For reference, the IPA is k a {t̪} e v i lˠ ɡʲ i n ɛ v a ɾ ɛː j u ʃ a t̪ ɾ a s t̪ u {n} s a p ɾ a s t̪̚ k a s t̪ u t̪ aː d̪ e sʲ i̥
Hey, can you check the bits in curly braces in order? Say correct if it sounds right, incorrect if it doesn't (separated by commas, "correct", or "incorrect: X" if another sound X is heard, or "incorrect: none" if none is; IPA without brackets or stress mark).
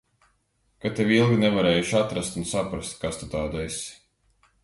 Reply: correct, correct